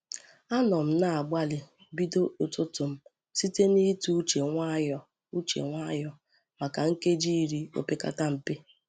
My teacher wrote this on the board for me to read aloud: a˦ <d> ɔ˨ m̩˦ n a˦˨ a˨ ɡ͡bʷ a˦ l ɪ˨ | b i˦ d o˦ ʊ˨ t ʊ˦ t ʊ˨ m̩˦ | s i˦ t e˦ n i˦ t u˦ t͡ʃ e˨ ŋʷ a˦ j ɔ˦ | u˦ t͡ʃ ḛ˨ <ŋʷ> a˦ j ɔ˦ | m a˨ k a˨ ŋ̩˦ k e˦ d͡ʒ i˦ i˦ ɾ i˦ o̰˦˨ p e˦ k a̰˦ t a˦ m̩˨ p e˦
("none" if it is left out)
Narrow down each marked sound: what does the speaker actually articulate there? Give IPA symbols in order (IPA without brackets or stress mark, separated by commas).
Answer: n, ŋʷ